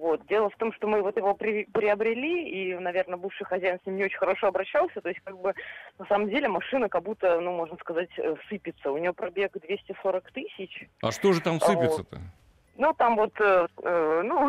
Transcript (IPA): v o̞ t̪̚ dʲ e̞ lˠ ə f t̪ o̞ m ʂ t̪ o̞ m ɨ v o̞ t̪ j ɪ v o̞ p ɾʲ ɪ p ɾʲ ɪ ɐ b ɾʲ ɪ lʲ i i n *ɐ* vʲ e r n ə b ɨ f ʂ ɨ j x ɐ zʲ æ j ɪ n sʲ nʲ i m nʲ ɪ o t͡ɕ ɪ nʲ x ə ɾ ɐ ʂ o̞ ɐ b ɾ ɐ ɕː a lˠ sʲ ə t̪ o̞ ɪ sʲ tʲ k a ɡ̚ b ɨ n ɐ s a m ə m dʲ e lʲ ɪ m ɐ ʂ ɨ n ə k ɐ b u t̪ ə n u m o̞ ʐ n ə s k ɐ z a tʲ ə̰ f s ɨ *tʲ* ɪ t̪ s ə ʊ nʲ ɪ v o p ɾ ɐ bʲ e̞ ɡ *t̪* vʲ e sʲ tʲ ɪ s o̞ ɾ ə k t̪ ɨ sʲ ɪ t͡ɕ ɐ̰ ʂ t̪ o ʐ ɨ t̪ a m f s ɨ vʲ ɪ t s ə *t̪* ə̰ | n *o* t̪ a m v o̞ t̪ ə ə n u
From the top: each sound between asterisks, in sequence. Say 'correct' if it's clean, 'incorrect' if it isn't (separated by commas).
correct, incorrect, incorrect, correct, incorrect